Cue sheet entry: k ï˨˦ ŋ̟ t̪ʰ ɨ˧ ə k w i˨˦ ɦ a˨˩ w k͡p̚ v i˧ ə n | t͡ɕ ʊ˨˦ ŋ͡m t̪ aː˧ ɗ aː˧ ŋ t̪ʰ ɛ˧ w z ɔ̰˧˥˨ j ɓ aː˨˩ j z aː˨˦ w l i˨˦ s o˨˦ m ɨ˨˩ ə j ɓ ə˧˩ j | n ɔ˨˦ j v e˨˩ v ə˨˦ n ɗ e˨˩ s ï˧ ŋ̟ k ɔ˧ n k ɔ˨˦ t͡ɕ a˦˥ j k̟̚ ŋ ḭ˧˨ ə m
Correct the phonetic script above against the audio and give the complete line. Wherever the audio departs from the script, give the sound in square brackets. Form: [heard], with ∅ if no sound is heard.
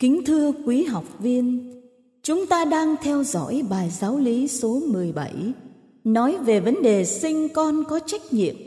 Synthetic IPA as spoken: k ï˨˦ ŋ̟ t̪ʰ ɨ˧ ə k w i˨˦ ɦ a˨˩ w k͡p̚ v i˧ ə n | t͡ɕ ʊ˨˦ ŋ͡m t̪ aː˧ ɗ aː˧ ŋ t̪ʰ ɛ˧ w z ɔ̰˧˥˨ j ɓ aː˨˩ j z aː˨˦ w l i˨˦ s o˨˦ m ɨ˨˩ ə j ɓ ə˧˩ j | n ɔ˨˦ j v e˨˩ v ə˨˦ n ɗ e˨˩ s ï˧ ŋ̟ k ɔ˧ n k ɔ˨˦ t͡ɕ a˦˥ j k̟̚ [ɲ] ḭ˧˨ ə m